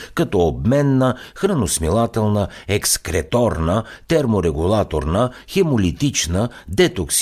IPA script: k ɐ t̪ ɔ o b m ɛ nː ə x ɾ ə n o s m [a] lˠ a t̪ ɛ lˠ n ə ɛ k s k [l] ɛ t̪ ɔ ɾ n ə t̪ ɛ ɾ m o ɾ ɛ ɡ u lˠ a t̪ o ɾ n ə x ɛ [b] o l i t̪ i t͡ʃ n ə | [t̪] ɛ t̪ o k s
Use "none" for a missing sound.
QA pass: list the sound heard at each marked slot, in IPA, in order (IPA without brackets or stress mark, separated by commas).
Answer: i, ɾ, m, d̪